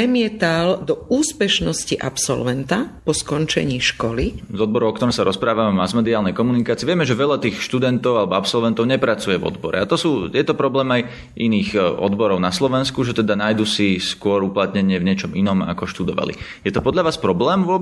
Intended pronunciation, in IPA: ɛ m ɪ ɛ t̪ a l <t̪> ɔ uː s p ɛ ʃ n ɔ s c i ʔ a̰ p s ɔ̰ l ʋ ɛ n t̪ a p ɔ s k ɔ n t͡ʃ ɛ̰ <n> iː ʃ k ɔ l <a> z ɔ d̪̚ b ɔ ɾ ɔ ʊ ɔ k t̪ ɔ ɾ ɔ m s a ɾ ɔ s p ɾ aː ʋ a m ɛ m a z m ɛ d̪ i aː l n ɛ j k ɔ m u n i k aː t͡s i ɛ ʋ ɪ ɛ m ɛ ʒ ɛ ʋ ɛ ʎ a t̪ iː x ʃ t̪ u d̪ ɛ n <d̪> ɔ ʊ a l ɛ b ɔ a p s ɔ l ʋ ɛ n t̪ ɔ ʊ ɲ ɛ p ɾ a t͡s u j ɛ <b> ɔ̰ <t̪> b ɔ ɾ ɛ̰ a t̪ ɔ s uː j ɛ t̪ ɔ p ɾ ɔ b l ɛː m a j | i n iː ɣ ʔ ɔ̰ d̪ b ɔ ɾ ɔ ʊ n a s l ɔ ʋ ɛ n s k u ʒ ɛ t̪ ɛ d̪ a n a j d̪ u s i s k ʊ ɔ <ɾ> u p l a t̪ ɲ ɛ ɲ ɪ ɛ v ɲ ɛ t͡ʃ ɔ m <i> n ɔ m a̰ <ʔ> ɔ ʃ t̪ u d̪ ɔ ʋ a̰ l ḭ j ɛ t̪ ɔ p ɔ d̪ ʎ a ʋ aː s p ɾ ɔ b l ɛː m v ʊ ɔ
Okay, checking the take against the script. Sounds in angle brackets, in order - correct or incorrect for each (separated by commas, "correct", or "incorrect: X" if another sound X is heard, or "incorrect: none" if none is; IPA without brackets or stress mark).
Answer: incorrect: d̪, incorrect: ɲ, incorrect: i, incorrect: t̪, incorrect: v, incorrect: d̪, correct, correct, incorrect: k